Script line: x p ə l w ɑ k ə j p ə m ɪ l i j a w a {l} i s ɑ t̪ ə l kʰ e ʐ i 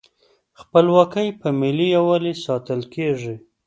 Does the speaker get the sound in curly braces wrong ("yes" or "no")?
no